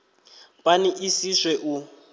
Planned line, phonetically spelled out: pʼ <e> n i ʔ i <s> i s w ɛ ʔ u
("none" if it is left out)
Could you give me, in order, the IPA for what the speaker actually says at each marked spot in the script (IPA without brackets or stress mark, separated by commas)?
a, s